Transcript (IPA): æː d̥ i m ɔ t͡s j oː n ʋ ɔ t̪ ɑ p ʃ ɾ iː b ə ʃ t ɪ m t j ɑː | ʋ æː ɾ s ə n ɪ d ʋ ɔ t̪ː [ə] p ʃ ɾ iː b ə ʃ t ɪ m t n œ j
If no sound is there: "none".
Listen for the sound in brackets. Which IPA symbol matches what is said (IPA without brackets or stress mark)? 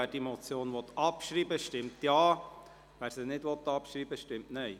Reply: ɑ